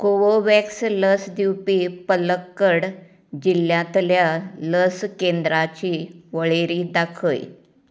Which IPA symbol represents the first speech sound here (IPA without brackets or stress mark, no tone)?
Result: k